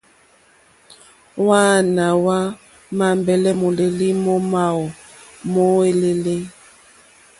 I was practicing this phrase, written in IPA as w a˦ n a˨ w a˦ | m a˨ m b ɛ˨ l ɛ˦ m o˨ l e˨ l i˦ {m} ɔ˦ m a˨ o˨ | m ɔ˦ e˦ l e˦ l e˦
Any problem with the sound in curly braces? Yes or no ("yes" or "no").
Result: no